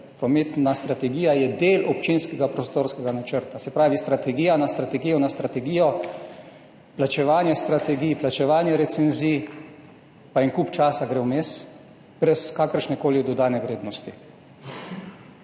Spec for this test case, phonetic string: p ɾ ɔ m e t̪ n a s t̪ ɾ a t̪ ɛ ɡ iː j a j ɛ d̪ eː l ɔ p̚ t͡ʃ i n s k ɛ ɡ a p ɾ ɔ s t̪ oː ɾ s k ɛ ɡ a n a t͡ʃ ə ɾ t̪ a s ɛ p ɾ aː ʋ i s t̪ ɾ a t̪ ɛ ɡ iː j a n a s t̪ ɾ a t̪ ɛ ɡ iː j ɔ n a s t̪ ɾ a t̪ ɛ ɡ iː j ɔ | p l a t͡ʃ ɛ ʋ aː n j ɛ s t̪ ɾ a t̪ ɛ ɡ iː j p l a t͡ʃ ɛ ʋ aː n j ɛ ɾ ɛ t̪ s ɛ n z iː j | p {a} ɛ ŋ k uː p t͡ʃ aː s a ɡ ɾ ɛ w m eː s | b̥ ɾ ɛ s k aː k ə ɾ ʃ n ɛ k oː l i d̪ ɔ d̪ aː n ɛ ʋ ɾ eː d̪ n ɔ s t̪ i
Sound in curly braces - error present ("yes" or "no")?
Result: no